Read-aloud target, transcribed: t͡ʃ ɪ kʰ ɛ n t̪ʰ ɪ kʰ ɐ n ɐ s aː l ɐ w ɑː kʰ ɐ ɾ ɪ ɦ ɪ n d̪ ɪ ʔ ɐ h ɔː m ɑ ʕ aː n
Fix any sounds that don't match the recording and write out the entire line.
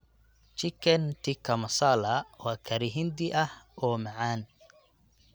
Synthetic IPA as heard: t͡ʃ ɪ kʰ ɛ n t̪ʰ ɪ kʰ ɐ m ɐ s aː l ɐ w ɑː kʰ ɐ ɾ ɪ ɦ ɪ n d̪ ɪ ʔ ɐ h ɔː m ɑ ʕ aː n